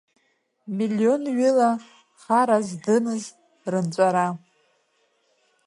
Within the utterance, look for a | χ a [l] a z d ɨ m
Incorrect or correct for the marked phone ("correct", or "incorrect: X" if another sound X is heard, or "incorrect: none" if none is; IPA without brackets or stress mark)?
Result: incorrect: ɾ